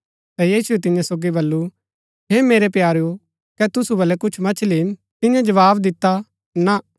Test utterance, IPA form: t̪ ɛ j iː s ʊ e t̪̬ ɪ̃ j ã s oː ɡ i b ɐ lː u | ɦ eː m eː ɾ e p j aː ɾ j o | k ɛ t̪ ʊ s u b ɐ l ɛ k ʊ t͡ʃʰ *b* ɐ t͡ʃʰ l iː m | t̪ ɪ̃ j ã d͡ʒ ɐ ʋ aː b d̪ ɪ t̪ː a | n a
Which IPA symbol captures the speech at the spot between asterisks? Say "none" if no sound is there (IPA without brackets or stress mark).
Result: m